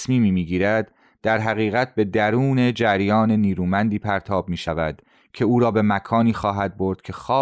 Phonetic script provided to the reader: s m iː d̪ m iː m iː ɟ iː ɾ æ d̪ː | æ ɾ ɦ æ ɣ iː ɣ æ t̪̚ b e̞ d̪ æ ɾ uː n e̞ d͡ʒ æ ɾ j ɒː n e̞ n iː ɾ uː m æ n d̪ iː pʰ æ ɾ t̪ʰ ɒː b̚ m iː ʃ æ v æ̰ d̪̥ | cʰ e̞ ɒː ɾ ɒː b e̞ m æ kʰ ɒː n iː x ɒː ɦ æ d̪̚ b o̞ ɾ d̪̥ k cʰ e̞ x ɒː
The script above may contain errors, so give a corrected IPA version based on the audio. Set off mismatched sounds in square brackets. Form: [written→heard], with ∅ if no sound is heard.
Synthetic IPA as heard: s m iː [d̪→∅] m iː m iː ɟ iː ɾ æ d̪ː | æ ɾ ɦ æ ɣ iː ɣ æ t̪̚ b e̞ d̪ æ ɾ uː n e̞ d͡ʒ æ ɾ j ɒː n e̞ n iː ɾ uː m æ n d̪ iː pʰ æ ɾ t̪ʰ ɒː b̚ m iː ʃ æ v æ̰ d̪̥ | cʰ e̞ [ɒː→uː] ɾ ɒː b e̞ m æ kʰ ɒː n iː x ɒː ɦ æ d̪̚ b o̞ ɾ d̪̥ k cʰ e̞ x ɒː